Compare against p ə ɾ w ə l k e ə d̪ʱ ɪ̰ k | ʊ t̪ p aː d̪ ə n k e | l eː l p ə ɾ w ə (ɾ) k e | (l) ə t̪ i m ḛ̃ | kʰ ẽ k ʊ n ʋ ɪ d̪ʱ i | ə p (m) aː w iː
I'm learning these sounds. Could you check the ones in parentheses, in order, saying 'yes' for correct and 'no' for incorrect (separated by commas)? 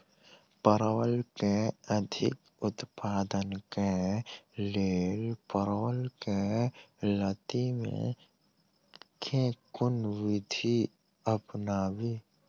no, yes, no